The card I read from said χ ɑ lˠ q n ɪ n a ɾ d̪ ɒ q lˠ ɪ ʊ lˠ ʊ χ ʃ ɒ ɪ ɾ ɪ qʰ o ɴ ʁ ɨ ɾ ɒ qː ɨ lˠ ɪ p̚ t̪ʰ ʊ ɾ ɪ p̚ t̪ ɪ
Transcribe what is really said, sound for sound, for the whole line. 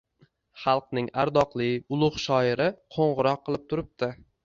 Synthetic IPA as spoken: χ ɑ lˠ q n ɪ ŋ a ɾ d̪ ɒ q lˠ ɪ ʊ lˠ ʊ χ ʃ ɒ ɪ ɾ ɪ qʰ o ɴ ʁ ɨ ɾ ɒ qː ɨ lˠ ɪ p̚ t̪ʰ ʊ ɾ ɪ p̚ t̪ ɪ

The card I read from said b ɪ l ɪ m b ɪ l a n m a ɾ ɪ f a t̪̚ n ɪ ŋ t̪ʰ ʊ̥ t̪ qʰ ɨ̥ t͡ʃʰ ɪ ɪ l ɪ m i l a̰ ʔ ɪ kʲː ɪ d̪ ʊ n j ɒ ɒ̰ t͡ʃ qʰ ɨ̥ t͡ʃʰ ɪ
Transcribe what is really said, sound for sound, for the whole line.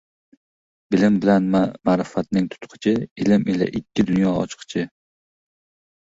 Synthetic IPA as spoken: b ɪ l ɪ m b ɪ l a n m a ɾ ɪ f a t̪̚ n ɪ ŋ t̪ʰ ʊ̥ t̪ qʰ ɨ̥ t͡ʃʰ ɪ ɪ l ɪ m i l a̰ ʔ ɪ kʲː ɪ d̪ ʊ n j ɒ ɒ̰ t͡ʃ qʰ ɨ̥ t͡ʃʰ ɪ

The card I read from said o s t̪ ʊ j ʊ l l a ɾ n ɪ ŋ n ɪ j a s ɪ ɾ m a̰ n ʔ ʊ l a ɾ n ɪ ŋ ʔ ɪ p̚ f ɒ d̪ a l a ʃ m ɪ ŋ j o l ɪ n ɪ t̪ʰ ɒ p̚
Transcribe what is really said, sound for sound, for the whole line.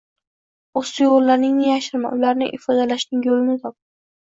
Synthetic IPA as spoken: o s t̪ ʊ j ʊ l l a ɾ n ɪ ŋ n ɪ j a ʃ ɪ ɾ m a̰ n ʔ ʊ l a ɾ n ɪ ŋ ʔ ɪ f ɒ d̪ a l a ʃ n ɪ ŋ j o l ɪ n ɪ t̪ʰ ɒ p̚

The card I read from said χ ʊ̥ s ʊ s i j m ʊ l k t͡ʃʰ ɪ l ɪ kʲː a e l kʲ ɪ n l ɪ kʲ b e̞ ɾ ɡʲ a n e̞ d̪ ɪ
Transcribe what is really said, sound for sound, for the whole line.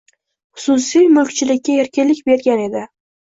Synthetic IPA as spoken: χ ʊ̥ s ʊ s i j m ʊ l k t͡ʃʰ ɪ l ɪ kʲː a e ɾ kʲ ɪ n l ɪ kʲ b e̞ ɾ ɡʲ a n e̞ d̪ ɪ

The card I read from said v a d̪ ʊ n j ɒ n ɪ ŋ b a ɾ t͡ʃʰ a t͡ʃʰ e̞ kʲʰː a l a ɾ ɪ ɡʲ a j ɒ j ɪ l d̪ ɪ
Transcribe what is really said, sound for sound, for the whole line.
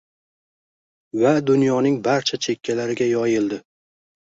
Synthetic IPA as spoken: v a d̪ ʊ n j ɒ n ɪ ŋ b a ɾ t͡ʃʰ a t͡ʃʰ e̞ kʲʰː a l a ɾ ɪ ɡʲ a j ɒ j ɪ l d̪ ɪ

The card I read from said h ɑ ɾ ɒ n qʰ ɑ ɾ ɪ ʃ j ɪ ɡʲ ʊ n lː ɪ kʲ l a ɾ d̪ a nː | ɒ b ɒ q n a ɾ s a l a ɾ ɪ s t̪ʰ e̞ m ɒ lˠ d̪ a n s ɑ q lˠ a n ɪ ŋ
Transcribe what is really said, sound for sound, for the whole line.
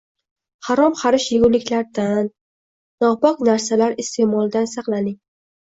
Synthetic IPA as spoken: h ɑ ɾ ɒ m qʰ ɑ ɾ ɪ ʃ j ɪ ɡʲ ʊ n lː ɪ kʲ l a ɾ d̪ a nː | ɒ b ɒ q n a ɾ s a l a ɾ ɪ s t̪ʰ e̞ m ɒ lˠ d̪ a n s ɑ q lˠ a n ɪ ŋ

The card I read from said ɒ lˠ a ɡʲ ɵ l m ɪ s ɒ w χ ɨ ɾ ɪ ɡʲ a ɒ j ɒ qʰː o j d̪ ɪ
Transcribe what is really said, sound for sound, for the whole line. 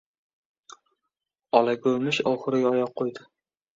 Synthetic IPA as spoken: ɒ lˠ a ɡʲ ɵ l m ɪ ʃ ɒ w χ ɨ ɾ ɪ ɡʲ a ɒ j ɒ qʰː o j d̪ ɪ

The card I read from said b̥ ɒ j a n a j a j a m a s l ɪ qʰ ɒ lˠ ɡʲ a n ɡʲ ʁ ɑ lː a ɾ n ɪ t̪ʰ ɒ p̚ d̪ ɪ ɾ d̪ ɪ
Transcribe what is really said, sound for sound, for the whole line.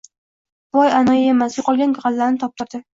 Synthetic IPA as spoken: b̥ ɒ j a n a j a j e m a s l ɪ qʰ ɒ lˠ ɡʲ a n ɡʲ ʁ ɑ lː a ɾ n ɪ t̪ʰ ɒ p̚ t̪ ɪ ɾ d̪ ɪ

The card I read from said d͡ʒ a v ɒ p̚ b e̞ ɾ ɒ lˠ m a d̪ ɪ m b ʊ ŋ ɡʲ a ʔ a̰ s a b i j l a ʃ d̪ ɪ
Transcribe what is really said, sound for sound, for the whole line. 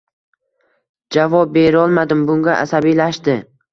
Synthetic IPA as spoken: d͡ʒ a v ɒ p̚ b e̞ ɾ ɒ lˠ m a d̪ ɪ m b ʊ ŋ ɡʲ a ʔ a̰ s a b i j l a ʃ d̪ ɪ

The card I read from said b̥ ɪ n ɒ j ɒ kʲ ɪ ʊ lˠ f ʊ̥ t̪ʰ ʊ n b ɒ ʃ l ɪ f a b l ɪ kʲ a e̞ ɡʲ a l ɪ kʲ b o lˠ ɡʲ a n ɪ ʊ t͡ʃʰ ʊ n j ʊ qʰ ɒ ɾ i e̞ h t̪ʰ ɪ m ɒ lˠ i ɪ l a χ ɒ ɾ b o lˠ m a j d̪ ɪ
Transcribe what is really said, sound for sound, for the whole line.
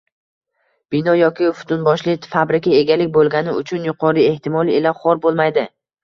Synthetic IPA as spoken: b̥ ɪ n ɒ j ɒ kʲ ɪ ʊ f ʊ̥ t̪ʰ ʊ n b ɒ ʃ l ɪ f a b ɾ ɪ kʲ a e̞ ɡʲ a l ɪ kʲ b o lˠ ɡʲ a n ɪ ʊ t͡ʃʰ ʊ n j ʊ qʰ ɒ ɾ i e̞ h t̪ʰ ɪ m ɒ lˠ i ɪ l a χ ɒ ɾ b o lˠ m a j d̪ ɪ

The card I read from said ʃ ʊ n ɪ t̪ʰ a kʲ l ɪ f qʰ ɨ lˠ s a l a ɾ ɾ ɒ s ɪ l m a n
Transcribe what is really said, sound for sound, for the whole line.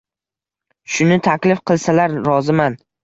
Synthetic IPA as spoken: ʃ ʊ n ɪ t̪ʰ a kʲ l ɪ f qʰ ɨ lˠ s a l a ɾ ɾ ɒ z ɪ m a n

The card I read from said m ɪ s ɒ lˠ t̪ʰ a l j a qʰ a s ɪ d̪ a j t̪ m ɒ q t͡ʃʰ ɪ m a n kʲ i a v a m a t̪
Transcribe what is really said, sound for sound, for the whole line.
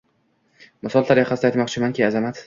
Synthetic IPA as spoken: m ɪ s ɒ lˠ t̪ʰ a ɾ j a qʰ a s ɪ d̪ a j t̪ m ɒ q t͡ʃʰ ɪ m a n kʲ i a z a m a t̪

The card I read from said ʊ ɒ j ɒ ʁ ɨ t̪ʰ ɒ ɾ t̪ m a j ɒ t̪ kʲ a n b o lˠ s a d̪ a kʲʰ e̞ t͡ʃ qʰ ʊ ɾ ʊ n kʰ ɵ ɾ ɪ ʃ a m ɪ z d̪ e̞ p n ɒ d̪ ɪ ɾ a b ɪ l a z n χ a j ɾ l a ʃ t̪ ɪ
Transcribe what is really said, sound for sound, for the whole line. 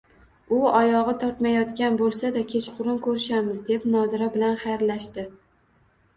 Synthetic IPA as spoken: ʊ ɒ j ɒ ʁ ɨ t̪ʰ ɒ ɾ t̪ m a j ɒ t̪ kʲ a n b o lˠ s a d̪ a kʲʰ e̞ t͡ʃ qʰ ʊ ɾ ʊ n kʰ ɵ ɾ ɪ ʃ a m ɪ z d̪ e̞ p n ɒ d̪ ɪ ɾ a b ɪ l a n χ a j ɾ l a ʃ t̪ ɪ

